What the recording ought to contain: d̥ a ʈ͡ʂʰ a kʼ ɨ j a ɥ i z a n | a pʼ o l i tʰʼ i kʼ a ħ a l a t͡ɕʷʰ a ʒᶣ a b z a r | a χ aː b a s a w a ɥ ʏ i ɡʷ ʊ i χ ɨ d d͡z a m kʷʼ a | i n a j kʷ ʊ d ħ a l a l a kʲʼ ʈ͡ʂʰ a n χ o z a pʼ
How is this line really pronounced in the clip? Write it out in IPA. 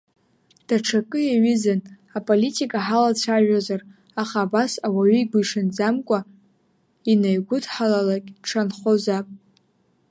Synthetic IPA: d̥ a ʈ͡ʂʰ a kʼ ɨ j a ɥ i z a n | a pʼ o l i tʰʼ i kʼ a ħ a l a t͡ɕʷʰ a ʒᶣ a z a r | a χ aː b a s a w a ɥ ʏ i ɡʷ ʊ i ʂ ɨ n d͡z a m kʷʼ a | i n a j ɡʷ ʊ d ħ a l a l a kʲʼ ʈ͡ʂʰ a n χ o z a pʼ